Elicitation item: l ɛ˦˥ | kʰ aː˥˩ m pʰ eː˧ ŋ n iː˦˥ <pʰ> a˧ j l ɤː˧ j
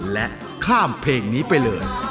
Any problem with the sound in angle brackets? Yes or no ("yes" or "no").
yes